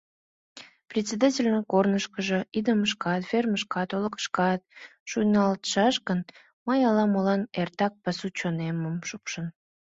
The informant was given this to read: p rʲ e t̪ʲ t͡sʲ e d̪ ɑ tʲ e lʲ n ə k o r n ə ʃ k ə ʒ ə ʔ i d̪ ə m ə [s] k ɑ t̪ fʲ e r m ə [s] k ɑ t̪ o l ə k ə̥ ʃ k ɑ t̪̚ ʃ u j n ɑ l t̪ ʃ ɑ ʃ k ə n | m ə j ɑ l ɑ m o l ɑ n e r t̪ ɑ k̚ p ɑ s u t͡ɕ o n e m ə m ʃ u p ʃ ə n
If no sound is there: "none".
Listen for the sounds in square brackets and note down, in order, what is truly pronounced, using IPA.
ʃ, ʃ

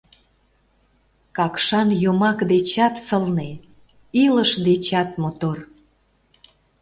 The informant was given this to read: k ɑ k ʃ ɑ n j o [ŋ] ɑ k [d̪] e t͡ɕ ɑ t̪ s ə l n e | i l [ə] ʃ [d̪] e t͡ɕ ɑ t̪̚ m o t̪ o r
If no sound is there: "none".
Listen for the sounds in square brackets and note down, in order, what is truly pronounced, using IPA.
m, d̪, ə, d̪

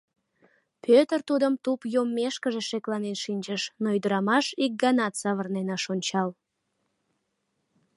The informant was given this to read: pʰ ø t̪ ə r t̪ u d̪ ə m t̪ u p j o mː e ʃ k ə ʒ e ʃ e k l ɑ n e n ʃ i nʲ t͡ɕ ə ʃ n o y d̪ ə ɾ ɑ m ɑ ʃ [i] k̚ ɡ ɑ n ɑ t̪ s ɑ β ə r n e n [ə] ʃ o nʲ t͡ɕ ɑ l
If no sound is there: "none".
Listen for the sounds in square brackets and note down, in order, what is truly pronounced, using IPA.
i, ɑ

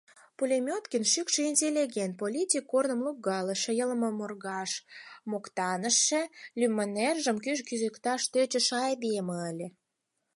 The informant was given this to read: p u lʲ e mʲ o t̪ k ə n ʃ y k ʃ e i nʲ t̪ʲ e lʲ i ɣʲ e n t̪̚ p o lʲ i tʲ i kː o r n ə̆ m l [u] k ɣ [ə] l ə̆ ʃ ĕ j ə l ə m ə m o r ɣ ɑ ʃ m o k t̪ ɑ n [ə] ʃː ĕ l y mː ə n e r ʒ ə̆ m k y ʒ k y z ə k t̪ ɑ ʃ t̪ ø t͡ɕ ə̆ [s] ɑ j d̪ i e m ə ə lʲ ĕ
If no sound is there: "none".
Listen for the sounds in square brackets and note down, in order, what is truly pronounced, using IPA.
u, ɑ, ə, ʃ

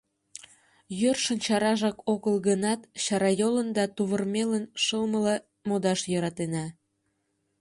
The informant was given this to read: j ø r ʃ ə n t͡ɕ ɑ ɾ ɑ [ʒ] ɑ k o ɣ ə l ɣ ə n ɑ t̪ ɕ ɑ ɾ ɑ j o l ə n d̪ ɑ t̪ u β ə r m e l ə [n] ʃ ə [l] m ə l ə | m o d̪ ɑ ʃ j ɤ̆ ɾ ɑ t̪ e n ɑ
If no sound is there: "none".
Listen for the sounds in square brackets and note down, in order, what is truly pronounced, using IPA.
ʒ, n, l

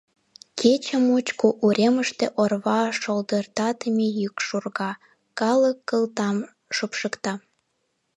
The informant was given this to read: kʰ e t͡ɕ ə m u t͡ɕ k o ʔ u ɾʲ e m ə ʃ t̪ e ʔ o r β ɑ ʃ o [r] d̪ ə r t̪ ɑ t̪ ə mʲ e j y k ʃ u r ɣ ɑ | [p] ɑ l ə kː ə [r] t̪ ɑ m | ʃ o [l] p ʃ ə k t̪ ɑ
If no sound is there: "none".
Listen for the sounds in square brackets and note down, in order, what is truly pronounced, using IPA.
l, k, l, none

